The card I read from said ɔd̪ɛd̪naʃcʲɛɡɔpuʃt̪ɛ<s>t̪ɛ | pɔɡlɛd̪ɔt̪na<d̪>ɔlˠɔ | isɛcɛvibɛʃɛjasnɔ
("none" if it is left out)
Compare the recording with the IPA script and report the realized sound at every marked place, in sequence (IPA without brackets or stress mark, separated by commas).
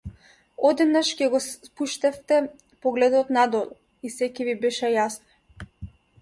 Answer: f, d̪